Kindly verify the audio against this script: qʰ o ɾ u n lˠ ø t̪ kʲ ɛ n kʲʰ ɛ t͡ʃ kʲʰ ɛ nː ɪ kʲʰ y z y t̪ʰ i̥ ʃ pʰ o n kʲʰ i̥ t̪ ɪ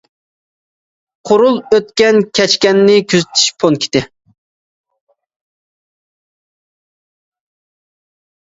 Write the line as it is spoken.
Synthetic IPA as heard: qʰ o ɾ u lˠ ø t̪ kʲ ɛ n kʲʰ ɛ t͡ʃ kʲ ɛ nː ɪ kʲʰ y z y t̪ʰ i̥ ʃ pʰ o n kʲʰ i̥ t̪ ɪ